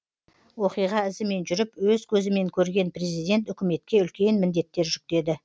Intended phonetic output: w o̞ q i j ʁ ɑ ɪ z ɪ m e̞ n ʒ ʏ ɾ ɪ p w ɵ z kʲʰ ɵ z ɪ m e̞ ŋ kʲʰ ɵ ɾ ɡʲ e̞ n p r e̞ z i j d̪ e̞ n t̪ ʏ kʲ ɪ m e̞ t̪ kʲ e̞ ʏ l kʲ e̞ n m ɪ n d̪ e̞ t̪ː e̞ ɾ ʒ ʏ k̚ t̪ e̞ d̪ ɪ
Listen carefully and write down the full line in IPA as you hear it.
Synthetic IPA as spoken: w o̞ q i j ʁ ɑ ɪ z ɪ m e̞ n ʒ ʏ ɾ ɪ p w ɵ z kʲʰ ɵ z ɪ m e̞ ŋ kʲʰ ɵ ɾ ɡʲ e̞ n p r e̞ z i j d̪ e̞ n t̪ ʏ kʲ ɪ m e̞ t̪ kʲ e̞ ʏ l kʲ e̞ n m ɪ n d̪ e̞ t̪ː e̞ ɾ ʒ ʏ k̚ t̪ e̞ d̪ ɪ